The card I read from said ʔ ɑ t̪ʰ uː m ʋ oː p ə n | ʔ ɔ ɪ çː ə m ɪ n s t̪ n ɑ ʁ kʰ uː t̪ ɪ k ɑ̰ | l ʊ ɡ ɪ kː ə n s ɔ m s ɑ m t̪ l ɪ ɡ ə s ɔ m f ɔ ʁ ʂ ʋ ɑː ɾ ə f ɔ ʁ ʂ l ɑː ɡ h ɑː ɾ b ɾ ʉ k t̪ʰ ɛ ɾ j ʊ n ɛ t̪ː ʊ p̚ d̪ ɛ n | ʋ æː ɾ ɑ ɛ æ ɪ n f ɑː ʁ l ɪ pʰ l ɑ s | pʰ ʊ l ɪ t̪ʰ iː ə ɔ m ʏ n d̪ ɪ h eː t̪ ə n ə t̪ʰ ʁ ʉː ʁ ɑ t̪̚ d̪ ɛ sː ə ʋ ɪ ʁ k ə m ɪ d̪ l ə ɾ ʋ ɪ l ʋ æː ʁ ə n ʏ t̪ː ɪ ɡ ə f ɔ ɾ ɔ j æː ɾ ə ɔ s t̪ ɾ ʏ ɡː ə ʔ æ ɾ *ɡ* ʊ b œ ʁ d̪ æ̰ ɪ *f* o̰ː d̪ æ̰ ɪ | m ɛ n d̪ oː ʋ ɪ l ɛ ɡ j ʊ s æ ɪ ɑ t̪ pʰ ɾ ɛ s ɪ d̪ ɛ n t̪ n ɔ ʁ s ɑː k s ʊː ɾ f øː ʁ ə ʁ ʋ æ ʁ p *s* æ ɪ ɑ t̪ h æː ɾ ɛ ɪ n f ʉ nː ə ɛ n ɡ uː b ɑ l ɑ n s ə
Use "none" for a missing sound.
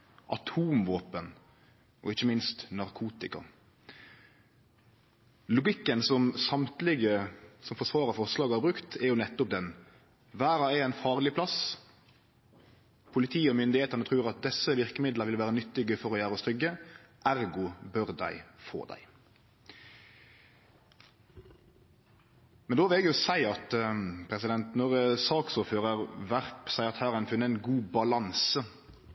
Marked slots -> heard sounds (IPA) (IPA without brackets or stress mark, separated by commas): ɡ, f, s